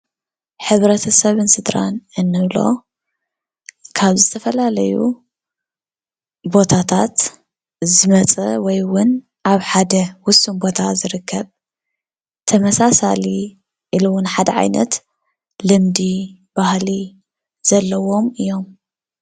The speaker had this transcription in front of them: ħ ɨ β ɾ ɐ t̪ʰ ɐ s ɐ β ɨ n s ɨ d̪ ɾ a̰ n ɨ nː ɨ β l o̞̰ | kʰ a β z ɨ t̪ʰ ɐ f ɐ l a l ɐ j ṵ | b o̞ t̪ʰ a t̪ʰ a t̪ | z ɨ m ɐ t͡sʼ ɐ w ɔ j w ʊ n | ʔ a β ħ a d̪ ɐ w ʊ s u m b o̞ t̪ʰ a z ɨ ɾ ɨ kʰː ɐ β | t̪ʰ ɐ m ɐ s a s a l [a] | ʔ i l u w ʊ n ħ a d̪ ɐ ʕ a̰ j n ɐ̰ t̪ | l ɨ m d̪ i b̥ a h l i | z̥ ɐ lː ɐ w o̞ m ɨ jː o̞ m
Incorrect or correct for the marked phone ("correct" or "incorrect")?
incorrect